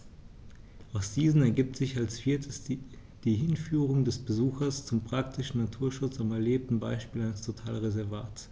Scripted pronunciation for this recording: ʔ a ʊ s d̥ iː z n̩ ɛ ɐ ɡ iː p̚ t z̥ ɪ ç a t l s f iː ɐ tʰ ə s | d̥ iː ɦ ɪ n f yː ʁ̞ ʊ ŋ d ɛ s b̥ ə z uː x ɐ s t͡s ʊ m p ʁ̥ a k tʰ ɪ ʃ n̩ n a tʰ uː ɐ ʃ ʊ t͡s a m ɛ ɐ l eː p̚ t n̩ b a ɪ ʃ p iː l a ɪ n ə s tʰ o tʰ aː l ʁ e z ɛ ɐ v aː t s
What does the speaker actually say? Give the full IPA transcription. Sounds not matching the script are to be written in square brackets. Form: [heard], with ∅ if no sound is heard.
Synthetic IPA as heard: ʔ a ʊ s d̥ iː z n̩ ɛ ɐ ɡ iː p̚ t z̥ ɪ ç a [∅] l s f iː ɐ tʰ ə s | d̥ iː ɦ ɪ n f yː ʁ̞ ʊ ŋ d ɛ s b̥ ə z uː x ɐ s t͡s ʊ m p ʁ̥ a k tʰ ɪ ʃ n̩ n a tʰ uː ɐ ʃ ʊ t͡s a m ɛ ɐ l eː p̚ t n̩ b a ɪ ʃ p iː l a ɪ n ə s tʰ o tʰ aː l ʁ e z ɛ ɐ v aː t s